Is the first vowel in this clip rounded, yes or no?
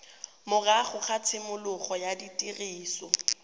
yes